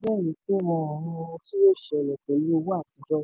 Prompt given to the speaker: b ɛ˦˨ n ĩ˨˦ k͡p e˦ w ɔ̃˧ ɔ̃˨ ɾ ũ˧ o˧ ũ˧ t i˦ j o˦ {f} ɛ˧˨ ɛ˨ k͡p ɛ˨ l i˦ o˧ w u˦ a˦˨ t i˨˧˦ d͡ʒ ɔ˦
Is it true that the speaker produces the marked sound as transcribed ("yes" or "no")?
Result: no